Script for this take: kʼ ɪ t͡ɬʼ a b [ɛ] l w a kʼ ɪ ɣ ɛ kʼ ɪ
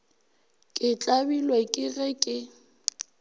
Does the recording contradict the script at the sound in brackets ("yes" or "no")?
yes